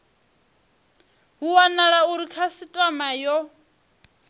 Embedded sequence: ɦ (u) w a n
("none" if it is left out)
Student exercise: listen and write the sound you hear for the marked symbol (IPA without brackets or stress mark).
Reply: u